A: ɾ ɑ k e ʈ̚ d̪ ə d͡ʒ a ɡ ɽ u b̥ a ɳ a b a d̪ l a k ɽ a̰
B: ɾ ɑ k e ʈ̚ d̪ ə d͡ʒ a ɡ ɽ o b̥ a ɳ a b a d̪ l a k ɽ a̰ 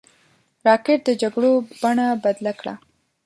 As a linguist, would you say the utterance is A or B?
B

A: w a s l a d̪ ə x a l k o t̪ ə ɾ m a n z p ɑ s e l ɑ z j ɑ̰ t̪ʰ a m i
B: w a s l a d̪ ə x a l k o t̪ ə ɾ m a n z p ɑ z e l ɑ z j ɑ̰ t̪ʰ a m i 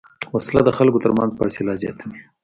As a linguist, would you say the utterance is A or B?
A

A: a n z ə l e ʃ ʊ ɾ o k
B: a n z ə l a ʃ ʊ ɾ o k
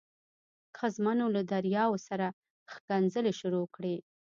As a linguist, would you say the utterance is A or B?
A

